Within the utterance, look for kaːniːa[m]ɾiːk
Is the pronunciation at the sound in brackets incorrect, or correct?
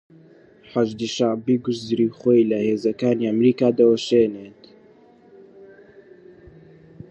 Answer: correct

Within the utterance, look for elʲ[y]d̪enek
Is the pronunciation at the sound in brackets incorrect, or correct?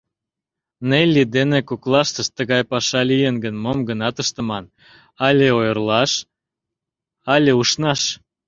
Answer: incorrect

